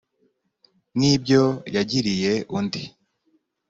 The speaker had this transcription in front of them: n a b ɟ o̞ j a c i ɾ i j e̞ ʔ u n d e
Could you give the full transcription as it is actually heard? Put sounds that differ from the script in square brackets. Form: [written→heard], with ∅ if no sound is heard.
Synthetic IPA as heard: n [a→i] b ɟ o̞ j a [c→ɟ] i ɾ i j e̞ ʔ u n d [e→i]